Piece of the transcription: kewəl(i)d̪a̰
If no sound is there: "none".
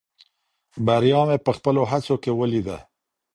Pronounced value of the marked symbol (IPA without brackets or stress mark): i